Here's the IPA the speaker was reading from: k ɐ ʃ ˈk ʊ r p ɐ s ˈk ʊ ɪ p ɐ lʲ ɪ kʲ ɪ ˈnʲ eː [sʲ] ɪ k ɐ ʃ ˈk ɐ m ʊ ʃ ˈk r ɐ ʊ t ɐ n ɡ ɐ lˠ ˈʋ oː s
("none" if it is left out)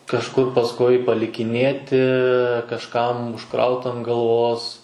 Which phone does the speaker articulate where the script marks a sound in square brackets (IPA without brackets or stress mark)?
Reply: tʲ